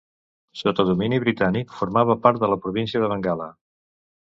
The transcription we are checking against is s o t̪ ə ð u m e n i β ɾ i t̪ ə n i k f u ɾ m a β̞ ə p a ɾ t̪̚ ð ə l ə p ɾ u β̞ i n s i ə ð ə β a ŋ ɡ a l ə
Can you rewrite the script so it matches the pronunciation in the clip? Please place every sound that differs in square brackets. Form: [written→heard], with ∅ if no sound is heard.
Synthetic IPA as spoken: s o t̪ ə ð u m [e→i] n i β ɾ i t̪ [ə→a] n i k f u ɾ m a β̞ ə p a ɾ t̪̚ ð ə l ə p ɾ u β̞ i n s i ə ð ə β [a→ə] ŋ ɡ a l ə